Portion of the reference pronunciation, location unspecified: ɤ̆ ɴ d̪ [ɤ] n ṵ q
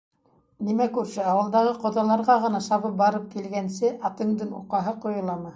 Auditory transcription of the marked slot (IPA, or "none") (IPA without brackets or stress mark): ɤ